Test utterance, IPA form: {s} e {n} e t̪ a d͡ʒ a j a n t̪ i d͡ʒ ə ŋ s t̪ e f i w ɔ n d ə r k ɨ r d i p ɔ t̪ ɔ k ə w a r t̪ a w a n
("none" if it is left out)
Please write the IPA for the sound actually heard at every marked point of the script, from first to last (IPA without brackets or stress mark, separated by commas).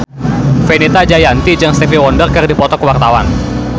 f, n